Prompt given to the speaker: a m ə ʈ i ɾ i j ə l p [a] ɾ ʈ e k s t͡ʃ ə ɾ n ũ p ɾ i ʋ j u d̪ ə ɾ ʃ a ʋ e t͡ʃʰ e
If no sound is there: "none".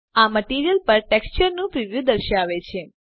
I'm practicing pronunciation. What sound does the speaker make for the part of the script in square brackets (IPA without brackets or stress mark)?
ə